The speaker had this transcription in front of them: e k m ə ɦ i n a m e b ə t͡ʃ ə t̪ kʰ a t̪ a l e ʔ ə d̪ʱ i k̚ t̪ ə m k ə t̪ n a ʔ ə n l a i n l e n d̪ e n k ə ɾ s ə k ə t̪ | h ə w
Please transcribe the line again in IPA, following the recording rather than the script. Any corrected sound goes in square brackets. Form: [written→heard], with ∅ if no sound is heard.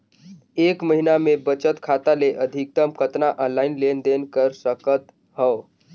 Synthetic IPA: e k m ə ɦ i n a m e b ə t͡ʃ ə t̪ kʰ a t̪ a l e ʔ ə d̪ʱ i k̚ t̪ ə m k ə t̪ n a ʔ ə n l a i n l e n d̪ e n k ə ɾ s ə k ə t̪ | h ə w